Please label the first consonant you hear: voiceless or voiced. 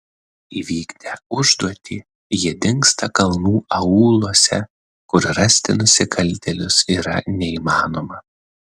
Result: voiced